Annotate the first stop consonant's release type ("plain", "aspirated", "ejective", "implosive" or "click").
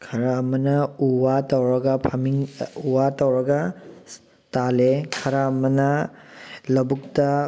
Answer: aspirated